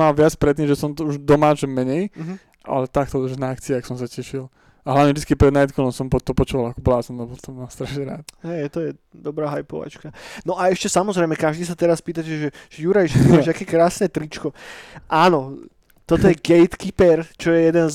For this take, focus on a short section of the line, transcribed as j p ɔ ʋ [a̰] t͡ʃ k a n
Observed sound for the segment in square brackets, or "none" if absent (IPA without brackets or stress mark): a̰